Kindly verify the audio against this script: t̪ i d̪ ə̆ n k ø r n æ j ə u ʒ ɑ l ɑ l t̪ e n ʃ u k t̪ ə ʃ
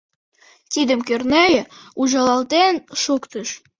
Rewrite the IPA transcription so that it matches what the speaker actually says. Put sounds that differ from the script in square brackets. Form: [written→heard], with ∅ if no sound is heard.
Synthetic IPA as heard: t̪ i d̪ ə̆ [n→m] k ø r n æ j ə u ʒ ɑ l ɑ l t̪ e n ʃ u k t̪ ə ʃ

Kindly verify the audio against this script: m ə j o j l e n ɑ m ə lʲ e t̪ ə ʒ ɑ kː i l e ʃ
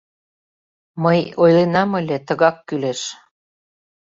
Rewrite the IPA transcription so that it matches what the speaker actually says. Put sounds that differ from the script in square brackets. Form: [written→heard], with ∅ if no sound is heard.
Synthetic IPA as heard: m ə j o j l e n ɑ m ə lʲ e t̪ ə [ʒ→ɣ] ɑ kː [i→y] l e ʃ

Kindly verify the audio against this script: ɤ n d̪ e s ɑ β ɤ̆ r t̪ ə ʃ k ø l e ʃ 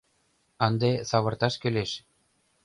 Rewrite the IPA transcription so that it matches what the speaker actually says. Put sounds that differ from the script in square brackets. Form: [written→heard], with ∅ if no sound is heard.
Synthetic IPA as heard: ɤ n d̪ e s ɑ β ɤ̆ r t̪ [ə→ɑ] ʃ k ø l e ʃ

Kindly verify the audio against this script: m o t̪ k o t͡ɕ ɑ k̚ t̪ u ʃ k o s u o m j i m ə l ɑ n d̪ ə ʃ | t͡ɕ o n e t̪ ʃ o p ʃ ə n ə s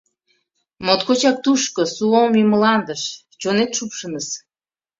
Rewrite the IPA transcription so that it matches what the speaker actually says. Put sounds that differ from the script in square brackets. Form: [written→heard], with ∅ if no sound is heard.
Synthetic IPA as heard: m o t̪ k o t͡ɕ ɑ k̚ t̪ u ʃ k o s u o m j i m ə l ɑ n d̪ ə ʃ | t͡ɕ o n e t̪ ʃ [o→u] p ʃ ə n ə s

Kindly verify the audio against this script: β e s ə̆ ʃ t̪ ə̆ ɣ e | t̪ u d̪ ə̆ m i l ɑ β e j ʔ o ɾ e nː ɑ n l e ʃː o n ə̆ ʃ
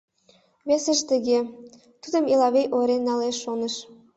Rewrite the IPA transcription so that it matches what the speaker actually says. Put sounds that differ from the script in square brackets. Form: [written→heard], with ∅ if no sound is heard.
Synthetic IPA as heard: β e s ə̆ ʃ t̪ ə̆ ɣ e | t̪ u d̪ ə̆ m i l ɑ β e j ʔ o ɾ e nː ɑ [n→∅] l e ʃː o n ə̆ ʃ

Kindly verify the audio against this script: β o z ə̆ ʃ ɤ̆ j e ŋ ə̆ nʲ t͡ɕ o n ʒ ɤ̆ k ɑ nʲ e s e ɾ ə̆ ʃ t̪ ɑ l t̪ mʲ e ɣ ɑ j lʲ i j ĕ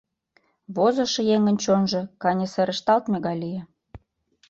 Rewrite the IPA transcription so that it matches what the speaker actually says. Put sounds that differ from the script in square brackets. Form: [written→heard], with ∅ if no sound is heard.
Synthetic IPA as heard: β o z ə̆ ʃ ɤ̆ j e ŋ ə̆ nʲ t͡ɕ o n ʒ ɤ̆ k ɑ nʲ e s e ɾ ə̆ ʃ t̪ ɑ l t̪ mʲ e ɣ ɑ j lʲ i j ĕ

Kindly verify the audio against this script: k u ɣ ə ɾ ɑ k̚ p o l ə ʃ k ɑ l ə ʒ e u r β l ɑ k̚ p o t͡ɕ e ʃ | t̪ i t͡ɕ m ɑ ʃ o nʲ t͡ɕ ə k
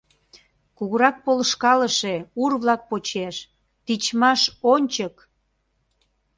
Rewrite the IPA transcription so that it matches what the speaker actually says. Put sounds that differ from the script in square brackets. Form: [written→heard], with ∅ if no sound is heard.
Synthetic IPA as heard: k u ɣ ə ɾ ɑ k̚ p o l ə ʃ k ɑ l ə [ʒ→ʃ] e u r β l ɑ k̚ p o t͡ɕ e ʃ | t̪ i t͡ɕ m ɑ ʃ o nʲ t͡ɕ ə k

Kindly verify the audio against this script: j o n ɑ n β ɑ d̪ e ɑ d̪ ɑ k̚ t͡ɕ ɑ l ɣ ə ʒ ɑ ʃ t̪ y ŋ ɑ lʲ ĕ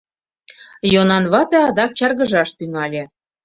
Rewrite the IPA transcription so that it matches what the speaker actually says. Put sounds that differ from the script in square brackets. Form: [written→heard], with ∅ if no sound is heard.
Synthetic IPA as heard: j o n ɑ n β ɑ [d̪→t̪] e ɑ d̪ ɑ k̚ t͡ɕ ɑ [l→r] ɣ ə ʒ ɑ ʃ t̪ y ŋ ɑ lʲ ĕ

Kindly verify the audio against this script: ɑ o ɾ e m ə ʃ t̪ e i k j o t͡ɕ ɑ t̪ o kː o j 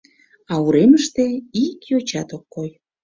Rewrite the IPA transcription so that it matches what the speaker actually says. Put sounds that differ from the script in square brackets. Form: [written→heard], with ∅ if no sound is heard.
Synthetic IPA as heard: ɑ [o→u] ɾ e m ə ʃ t̪ e i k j o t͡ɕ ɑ t̪ o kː o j

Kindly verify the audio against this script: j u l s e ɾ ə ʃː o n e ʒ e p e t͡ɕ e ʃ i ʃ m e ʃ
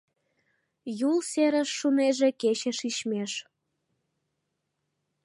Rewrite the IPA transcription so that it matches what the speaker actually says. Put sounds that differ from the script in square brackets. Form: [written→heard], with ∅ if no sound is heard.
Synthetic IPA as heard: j u l s e ɾ ə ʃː [o→u] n e ʒ e [p→k] e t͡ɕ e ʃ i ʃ m e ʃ

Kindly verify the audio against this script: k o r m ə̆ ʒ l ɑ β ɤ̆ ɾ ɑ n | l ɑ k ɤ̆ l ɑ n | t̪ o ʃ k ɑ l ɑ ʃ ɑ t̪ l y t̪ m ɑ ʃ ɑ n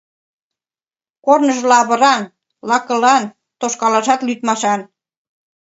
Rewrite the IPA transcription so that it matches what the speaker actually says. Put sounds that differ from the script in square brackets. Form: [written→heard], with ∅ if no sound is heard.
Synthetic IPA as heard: k o r [m→n] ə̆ ʒ l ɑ β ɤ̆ ɾ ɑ n | l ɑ k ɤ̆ l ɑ n | t̪ o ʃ k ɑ l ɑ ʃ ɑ t̪ l y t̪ m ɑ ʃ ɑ n

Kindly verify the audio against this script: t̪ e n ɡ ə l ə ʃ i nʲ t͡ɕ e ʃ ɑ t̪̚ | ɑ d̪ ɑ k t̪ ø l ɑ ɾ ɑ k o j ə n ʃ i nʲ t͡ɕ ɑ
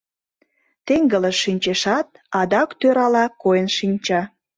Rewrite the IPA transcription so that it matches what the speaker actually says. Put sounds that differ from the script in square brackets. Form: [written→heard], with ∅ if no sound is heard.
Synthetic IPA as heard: t̪ e [n→ŋ] ɡ ə l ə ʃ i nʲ t͡ɕ e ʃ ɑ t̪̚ | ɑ d̪ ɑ k t̪ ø [l→ɾ] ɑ [ɾ→l] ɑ k o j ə n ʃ i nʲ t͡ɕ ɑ

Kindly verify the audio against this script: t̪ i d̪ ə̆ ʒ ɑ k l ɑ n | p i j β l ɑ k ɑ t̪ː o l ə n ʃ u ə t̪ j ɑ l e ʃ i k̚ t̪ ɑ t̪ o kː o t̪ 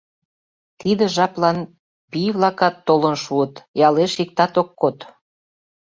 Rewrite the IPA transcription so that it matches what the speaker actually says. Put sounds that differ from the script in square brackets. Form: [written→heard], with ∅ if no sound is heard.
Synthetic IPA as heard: t̪ i d̪ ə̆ ʒ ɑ [k→p] l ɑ n | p i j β l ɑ k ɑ t̪ː o l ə n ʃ u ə t̪ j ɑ l e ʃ i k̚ t̪ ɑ t̪ o kː o t̪

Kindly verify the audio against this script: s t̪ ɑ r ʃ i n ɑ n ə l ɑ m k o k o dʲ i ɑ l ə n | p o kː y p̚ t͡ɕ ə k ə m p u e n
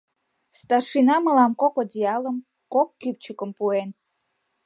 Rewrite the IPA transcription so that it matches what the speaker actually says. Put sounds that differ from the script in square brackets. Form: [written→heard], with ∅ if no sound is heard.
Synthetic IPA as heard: s t̪ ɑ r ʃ i n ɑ [n→m] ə l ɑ m k o k o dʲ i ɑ l ə [n→m] | [p→k] o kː y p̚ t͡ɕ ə k ə m p u e n

